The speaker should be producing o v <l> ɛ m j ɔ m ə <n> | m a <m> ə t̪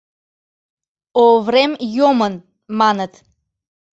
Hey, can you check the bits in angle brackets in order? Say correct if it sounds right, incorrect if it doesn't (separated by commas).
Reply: incorrect, correct, incorrect